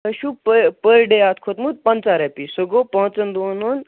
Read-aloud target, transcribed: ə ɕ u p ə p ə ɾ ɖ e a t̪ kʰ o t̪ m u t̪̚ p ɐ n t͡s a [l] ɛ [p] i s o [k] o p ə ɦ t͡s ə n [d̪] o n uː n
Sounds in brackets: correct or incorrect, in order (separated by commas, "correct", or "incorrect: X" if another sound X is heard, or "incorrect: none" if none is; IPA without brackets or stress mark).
incorrect: ɾ, correct, incorrect: ɡ, correct